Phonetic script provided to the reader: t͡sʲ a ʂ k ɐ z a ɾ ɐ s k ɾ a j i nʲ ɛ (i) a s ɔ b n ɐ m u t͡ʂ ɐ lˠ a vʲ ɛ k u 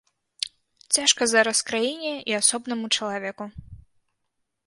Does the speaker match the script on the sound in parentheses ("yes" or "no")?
yes